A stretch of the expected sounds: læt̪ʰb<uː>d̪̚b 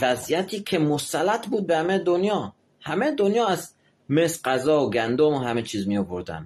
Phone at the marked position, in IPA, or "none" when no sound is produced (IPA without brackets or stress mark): uː